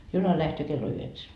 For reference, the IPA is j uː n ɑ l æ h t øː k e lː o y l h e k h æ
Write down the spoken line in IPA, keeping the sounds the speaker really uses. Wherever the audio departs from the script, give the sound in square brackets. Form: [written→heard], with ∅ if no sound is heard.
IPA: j [uː→u] n ɑ l æ h t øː k e lː o y [l→∅] h e k [h→s] æ